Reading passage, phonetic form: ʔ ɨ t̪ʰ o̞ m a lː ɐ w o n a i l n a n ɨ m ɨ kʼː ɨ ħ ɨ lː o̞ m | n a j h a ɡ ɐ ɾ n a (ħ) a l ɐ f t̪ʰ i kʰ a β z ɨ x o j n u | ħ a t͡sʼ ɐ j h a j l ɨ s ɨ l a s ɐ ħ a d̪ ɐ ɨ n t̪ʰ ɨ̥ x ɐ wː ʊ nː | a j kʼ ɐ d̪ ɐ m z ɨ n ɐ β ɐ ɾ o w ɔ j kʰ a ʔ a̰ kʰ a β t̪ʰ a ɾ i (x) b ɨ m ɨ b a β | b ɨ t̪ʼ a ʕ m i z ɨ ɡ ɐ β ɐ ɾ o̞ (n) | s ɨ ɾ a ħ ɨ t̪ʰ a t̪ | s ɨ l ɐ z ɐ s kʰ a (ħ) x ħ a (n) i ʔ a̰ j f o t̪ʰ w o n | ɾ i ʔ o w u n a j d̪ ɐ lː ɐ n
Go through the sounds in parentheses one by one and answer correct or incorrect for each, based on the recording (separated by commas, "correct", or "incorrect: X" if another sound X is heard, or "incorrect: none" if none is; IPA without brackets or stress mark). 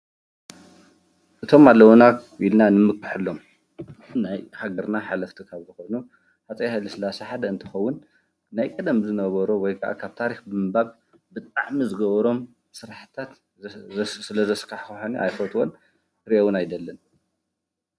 correct, correct, incorrect: m, correct, correct